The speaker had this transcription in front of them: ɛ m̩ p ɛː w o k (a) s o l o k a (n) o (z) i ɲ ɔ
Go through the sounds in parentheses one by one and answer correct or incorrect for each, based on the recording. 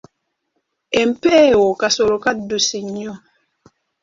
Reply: correct, incorrect: d, incorrect: s

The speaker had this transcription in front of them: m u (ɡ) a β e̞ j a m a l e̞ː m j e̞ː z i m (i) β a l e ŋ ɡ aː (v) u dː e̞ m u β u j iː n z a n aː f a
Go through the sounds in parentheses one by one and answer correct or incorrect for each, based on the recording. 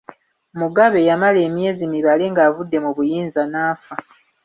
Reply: correct, correct, correct

